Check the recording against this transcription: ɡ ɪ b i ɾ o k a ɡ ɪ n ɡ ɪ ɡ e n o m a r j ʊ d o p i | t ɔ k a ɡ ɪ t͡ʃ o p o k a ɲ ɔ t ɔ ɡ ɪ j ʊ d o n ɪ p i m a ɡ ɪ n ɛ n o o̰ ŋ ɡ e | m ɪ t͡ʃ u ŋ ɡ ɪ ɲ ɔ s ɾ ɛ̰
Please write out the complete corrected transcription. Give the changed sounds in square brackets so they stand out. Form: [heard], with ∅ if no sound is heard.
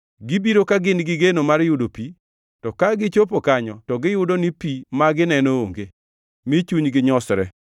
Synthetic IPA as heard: ɡ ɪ b i ɾ o k a ɡ ɪ n ɡ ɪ ɡ e n o m a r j ʊ d o p i | t ɔ k a ɡ ɪ t͡ʃ o p o k a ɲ ɔ t ɔ ɡ ɪ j ʊ d o n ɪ p i m a ɡ ɪ n ɛ n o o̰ ŋ ɡ e | m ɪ t͡ʃ u [ɲ] ɡ ɪ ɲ ɔ s ɾ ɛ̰